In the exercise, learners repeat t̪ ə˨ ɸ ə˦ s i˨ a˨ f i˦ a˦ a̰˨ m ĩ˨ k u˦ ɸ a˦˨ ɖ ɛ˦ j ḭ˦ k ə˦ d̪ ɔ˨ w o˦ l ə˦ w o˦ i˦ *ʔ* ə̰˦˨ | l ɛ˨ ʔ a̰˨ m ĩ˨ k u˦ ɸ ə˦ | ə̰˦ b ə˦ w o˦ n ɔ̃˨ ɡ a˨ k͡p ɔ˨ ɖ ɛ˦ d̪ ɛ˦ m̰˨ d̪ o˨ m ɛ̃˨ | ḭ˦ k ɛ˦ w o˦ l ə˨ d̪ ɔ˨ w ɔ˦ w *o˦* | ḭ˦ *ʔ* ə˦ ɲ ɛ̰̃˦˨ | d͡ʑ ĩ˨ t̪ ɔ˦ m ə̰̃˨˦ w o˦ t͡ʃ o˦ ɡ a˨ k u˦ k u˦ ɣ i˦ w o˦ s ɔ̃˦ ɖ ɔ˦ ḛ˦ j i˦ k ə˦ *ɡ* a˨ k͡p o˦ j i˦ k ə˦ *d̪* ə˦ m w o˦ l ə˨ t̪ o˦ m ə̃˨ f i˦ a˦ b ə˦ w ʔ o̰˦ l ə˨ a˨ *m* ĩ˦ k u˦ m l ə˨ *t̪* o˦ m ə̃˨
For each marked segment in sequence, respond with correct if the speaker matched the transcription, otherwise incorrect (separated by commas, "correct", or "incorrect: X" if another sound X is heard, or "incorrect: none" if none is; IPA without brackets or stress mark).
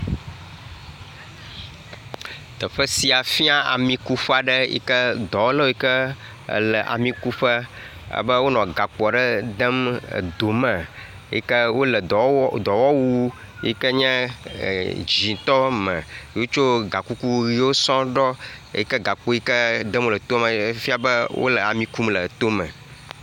incorrect: k, incorrect: u˦, incorrect: k, correct, correct, correct, correct